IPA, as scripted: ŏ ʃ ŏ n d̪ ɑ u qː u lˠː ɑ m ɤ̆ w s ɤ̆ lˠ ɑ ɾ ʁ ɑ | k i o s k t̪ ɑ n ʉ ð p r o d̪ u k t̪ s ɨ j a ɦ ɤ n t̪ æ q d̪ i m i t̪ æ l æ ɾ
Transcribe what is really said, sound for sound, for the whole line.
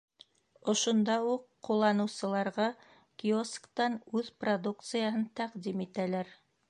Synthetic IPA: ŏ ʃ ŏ n d̪ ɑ u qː u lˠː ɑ n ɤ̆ w s ɤ̆ lˠ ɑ ɾ ʁ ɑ | k i o s k t̪ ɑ n ʉ ð p r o d̪ u k t̪ s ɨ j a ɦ ɤ n t̪ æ q d̪ i m i t̪ æ l æ ɾ